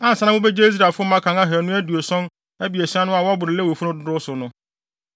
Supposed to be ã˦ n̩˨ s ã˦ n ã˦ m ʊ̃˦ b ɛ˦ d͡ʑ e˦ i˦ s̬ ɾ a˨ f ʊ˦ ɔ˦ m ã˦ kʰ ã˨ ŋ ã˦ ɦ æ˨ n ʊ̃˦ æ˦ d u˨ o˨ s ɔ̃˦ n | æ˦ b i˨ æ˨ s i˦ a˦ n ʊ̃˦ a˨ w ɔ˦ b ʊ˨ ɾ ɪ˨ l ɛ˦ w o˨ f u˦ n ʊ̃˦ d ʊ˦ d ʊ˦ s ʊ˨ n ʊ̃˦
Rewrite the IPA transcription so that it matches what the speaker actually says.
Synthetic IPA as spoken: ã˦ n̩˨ s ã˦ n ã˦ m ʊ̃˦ b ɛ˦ d͡ʑ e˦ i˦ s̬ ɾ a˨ f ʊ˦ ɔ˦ m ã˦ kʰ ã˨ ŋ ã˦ ɦ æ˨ n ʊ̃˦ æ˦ d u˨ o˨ s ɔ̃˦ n | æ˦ b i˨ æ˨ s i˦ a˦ n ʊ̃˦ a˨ w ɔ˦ b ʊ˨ ɾ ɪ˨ l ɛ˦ w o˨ f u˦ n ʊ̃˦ d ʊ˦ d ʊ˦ s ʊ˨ n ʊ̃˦